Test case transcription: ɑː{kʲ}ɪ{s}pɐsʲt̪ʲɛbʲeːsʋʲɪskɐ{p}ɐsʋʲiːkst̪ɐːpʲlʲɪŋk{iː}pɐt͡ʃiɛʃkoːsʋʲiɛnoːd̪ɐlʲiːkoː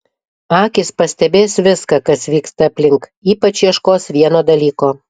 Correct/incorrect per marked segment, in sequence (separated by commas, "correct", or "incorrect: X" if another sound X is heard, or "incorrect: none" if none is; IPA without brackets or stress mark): correct, correct, incorrect: k, correct